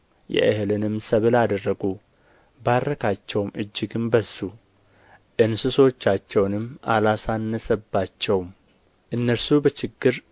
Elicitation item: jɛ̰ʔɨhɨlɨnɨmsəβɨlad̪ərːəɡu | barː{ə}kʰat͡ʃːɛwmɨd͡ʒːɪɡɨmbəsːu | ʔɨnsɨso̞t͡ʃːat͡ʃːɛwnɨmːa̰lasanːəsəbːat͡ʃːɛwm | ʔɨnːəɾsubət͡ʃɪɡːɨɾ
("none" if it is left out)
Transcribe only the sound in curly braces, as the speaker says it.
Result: ə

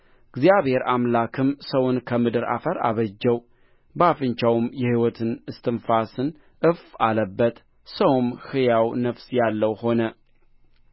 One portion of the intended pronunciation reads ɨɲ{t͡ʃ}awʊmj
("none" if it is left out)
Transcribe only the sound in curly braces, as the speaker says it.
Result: t͡ʃ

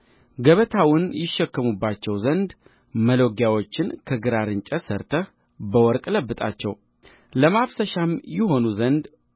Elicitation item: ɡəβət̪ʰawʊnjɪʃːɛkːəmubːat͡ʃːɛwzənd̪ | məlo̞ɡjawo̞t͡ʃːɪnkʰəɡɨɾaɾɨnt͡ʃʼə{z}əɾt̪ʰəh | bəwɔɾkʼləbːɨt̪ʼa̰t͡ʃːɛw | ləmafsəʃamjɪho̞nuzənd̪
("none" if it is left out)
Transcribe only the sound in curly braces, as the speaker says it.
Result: s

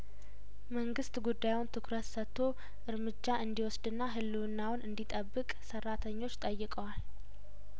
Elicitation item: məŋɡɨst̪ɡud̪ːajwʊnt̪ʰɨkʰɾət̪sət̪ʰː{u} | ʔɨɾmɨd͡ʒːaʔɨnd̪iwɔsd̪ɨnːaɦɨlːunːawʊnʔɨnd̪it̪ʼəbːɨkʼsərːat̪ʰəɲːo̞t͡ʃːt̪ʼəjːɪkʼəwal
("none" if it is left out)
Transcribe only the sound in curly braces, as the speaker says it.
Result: o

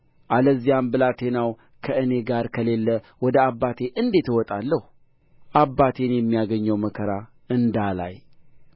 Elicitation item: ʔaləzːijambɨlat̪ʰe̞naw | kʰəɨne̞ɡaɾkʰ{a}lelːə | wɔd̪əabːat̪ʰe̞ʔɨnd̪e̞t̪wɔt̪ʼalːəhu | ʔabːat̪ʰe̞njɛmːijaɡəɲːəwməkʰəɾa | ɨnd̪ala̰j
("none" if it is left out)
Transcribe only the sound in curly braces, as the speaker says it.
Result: ə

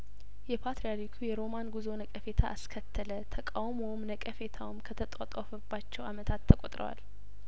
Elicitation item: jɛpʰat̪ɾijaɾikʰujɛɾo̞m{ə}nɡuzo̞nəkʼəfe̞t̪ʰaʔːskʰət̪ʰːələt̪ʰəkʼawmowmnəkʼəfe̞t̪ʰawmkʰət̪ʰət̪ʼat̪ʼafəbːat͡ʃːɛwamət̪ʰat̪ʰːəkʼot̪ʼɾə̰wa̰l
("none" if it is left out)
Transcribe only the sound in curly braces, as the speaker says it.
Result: a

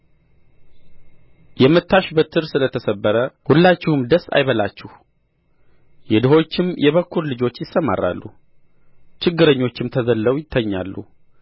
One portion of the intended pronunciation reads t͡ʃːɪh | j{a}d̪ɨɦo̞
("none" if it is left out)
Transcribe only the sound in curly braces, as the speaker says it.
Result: ɛ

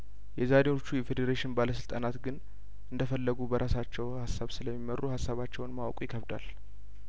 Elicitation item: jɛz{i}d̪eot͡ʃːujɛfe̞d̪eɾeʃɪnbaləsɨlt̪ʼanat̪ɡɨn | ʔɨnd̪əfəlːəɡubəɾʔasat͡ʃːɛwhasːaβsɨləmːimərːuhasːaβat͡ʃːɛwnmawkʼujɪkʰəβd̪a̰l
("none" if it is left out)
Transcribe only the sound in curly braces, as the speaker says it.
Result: a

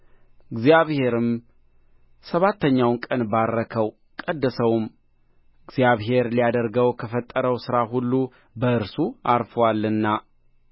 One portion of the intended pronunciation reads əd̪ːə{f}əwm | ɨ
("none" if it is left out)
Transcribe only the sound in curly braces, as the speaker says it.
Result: s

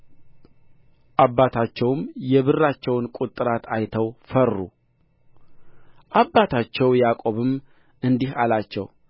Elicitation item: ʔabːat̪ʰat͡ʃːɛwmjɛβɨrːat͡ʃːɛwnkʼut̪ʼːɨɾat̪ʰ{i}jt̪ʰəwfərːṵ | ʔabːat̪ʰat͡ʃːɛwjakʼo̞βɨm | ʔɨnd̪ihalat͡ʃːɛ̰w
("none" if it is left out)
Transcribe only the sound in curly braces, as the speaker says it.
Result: a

